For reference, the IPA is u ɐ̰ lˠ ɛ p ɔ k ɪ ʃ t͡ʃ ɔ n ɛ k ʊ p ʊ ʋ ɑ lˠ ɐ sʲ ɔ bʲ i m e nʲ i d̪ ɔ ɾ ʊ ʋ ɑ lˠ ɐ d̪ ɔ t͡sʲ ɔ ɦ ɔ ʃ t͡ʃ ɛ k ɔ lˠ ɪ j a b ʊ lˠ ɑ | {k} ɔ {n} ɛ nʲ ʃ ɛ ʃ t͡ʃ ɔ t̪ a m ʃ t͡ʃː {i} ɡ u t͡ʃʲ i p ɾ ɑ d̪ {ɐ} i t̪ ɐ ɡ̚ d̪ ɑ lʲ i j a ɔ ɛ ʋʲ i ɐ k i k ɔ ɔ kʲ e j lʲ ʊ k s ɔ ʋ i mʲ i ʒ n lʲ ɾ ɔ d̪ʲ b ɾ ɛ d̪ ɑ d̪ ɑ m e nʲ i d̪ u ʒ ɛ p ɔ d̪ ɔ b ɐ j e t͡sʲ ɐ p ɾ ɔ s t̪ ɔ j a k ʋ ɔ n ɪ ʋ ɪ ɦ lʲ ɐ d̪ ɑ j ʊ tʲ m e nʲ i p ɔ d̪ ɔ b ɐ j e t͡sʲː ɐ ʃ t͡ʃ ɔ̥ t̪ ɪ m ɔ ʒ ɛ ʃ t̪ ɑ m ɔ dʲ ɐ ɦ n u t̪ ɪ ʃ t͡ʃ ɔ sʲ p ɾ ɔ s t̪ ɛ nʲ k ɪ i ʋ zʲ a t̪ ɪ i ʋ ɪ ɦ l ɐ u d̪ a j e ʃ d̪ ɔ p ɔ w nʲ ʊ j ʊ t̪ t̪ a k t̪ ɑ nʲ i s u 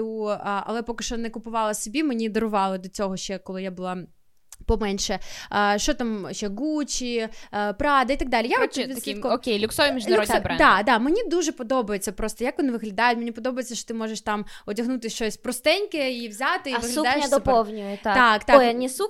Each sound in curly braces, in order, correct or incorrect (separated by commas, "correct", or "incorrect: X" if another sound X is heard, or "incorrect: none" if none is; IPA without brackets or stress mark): incorrect: p, incorrect: m, incorrect: ɛ, correct